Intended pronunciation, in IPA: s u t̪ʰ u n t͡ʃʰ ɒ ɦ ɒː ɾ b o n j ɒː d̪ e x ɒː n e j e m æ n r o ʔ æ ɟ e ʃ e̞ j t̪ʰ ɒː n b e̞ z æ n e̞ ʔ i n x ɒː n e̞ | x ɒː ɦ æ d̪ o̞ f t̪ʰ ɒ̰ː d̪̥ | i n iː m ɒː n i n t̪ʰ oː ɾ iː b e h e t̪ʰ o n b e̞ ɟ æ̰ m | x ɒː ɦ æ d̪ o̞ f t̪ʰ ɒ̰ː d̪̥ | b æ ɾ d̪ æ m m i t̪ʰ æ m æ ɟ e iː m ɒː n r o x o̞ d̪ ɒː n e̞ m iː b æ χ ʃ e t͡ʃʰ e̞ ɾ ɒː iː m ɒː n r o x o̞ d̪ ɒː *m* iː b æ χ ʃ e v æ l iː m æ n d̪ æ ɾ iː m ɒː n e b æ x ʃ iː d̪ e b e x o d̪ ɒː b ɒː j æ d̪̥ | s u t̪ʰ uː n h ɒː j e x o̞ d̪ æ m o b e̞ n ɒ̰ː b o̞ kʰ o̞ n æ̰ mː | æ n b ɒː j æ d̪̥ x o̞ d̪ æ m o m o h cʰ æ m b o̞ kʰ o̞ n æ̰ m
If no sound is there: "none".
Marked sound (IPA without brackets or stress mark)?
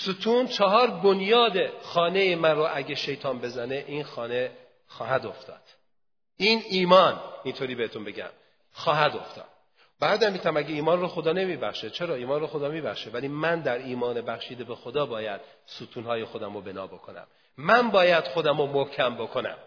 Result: m